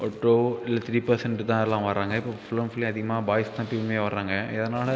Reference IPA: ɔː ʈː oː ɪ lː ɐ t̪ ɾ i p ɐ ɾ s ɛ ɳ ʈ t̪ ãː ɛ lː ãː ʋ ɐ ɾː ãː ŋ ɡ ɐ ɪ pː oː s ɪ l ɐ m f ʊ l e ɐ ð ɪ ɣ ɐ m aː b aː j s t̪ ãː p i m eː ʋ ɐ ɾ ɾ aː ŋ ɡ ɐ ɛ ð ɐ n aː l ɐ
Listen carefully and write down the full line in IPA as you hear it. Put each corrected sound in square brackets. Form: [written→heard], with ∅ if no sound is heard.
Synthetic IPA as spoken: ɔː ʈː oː ɪ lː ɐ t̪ ɾ [i→iː] p ɐ ɾ s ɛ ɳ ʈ t̪ ãː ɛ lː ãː ʋ ɐ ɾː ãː ŋ ɡ ɐ ɪ pː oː [s→f] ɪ l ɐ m f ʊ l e ɐ ð ɪ ɣ ɐ m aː b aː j s t̪ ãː p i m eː ʋ ɐ ɾ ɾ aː ŋ ɡ ɐ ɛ ð ɐ n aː l ɐ

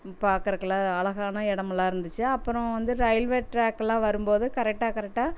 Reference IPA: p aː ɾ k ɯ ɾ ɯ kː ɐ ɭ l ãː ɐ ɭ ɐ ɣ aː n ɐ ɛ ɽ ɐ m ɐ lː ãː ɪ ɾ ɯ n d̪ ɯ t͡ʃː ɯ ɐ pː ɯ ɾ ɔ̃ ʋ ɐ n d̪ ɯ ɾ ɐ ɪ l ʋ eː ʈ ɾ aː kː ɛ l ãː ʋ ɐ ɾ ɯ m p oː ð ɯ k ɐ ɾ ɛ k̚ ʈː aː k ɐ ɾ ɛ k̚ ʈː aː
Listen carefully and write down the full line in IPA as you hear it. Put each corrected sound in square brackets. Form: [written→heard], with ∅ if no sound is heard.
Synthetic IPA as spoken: p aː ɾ k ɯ ɾ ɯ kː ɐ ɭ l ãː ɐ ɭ ɐ ɣ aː n ɐ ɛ ɽ ɐ m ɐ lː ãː ɪ ɾ ɯ n d̪ ɯ t͡ʃː ɯ ɐ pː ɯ ɾ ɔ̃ ʋ ɐ n d̪ ɯ ɾ ɐ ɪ l ʋ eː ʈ ɾ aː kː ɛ l ãː ʋ ɐ ɾ ɯ m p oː ð ɯ k ɐ ɾ ɛ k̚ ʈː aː k ɐ ɾ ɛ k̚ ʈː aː

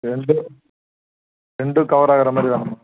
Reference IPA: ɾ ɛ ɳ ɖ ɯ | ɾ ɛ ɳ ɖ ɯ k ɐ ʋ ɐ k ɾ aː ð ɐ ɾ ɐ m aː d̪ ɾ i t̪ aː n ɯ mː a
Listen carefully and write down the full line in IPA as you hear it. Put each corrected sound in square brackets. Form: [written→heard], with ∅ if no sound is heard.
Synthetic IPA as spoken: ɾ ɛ ɳ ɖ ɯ | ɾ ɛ ɳ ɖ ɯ k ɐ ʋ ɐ [k→∅] ɾ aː [ð→ɣ] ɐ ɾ ɐ m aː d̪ ɾ i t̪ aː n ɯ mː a

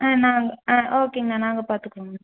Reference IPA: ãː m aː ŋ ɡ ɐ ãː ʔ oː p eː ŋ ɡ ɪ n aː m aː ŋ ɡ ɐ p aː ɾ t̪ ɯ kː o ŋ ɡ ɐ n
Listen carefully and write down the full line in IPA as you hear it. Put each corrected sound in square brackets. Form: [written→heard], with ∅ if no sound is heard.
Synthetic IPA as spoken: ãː [m→n] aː ŋ ɡ ɐ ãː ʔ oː [p→k] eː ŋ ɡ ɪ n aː [m→n] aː ŋ ɡ ɐ p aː ɾ t̪ ɯ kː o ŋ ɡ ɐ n

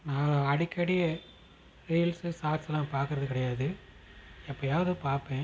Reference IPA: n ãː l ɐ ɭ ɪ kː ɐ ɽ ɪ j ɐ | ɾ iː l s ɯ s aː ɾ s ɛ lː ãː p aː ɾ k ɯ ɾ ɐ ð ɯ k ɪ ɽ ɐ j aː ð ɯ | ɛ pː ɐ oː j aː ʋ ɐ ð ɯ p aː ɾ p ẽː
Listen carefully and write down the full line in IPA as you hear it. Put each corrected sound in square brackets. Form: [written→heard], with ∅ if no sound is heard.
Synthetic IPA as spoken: n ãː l ɐ [ɭ→ɽ] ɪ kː ɐ ɽ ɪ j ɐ | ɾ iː l s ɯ s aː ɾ s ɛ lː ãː p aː ɾ k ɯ ɾ ɐ ð ɯ k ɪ ɽ ɐ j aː ð ɯ | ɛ pː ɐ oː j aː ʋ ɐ ð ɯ p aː ɾ p ẽː

